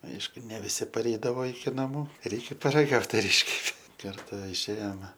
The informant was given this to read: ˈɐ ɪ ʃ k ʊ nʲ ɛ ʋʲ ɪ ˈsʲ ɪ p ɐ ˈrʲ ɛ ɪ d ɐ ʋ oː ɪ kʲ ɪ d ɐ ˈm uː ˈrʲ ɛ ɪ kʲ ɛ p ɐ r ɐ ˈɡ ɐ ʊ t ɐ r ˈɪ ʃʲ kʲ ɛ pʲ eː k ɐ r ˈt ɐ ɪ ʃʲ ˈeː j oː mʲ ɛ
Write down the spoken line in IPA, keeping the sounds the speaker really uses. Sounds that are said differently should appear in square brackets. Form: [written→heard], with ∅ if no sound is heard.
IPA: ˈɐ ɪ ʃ k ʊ nʲ ɛ ʋʲ ɪ ˈsʲ ɪ p ɐ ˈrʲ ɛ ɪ d ɐ ʋ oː ɪ kʲ ɪ [d→n] ɐ ˈm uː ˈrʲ ɛ ɪ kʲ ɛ p ɐ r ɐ ˈɡ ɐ ʊ t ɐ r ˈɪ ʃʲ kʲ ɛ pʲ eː k ɐ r ˈt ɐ ɪ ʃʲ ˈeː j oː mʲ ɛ